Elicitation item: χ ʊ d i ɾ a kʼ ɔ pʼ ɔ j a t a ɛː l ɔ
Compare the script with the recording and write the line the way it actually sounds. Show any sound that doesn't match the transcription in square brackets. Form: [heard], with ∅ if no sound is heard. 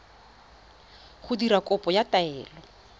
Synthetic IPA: χ ʊ d i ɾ a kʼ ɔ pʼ ɔ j a t a ɛː l ɔ

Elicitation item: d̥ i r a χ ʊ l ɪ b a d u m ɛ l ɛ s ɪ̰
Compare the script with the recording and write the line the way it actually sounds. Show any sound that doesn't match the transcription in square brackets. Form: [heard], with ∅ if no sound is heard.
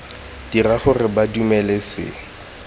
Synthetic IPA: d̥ i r a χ ʊ [r] ɪ b a d u m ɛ l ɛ s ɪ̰

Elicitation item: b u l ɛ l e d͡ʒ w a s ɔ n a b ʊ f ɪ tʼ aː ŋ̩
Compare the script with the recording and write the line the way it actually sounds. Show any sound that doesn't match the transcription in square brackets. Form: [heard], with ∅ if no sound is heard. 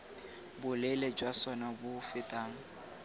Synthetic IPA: b [ʊ] l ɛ l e d͡ʒ w a s ɔ n a b ʊ f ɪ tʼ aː ŋ̩

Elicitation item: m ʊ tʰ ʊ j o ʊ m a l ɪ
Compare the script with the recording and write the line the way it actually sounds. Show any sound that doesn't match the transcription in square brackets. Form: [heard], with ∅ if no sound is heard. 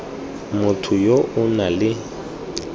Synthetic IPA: m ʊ tʰ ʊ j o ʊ [n] a l ɪ

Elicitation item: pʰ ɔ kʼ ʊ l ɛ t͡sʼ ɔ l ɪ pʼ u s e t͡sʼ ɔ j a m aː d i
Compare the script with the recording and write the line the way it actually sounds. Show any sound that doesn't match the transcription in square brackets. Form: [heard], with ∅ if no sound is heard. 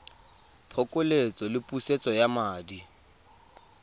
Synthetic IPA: pʰ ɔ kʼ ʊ l [e] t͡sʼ ɔ l ɪ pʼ u s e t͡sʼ ɔ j a m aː d i

